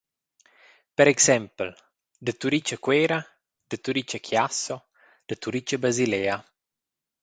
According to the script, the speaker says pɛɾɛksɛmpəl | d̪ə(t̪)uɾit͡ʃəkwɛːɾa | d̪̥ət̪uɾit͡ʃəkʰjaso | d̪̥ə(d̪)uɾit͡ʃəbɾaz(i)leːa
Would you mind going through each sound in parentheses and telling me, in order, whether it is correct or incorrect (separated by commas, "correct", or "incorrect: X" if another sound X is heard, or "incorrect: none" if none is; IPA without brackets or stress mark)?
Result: correct, incorrect: t̪, correct